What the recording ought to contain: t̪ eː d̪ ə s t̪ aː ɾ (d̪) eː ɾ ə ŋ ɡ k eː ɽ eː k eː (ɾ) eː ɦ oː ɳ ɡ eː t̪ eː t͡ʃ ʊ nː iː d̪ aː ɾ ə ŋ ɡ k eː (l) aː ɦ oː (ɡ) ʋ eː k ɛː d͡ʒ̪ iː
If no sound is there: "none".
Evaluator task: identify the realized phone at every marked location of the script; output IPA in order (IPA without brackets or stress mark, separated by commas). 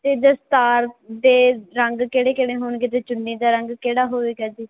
d̪, ɽ, ɽ, none